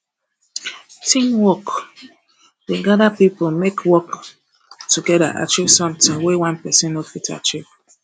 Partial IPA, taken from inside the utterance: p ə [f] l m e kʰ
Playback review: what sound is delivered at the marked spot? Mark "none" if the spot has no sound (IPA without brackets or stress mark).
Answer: none